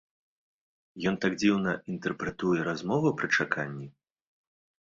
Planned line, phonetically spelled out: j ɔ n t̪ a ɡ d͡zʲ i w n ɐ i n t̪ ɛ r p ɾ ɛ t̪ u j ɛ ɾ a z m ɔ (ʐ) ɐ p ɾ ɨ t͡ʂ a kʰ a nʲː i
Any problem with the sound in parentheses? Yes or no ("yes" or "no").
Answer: yes